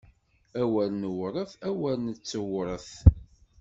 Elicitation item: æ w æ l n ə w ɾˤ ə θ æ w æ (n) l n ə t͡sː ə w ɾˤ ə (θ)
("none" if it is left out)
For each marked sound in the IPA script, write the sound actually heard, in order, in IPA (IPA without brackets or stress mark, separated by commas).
none, θ